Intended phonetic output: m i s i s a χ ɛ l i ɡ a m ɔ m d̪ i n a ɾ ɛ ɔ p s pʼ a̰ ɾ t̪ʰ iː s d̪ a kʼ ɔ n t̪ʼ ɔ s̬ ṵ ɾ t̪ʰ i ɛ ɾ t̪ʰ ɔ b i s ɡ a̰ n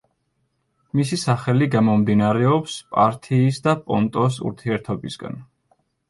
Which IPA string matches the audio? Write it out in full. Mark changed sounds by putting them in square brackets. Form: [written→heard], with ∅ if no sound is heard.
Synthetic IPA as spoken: m i s i s a χ ɛ l i ɡ a m ɔ m d̪ i n a ɾ ɛ ɔ p s pʼ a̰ ɾ t̪ʰ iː s d̪ a [kʼ→pʼ] ɔ n t̪ʼ ɔ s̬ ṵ ɾ t̪ʰ i ɛ ɾ t̪ʰ ɔ b i s ɡ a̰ n